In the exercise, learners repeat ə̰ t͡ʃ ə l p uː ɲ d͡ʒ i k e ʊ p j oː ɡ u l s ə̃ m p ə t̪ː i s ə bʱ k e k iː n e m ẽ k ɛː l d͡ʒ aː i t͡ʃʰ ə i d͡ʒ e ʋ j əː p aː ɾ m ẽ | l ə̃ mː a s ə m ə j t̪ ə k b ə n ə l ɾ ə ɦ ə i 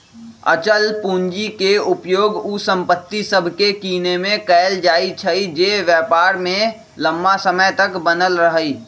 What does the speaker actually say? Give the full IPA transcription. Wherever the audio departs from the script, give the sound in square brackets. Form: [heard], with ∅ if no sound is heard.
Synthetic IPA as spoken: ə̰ t͡ʃ ə l p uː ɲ d͡ʒ i k e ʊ p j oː ɡ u [∅] s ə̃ m p ə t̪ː i s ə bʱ k e k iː n e m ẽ k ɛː l d͡ʒ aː i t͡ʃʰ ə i d͡ʒ e ʋ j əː p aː ɾ m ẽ | l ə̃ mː a s ə m ə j t̪ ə k b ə n ə l ɾ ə ɦ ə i